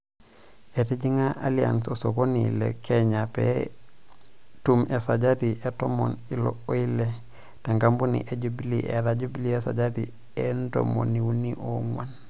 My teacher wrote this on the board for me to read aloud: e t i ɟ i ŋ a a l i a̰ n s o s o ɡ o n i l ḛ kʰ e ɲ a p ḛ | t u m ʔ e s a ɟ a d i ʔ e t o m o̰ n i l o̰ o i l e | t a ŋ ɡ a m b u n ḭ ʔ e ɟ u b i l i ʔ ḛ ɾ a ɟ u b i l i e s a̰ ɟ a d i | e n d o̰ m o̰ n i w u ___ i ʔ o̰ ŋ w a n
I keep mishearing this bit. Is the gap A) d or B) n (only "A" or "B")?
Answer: B